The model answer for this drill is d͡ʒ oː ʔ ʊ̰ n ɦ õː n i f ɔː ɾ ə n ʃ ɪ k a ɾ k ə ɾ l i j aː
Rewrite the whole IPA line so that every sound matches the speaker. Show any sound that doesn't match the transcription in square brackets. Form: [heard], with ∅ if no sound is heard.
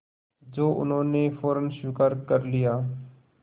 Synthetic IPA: d͡ʒ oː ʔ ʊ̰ n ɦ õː n [e] f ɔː ɾ ə n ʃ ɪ k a ɾ k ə ɾ l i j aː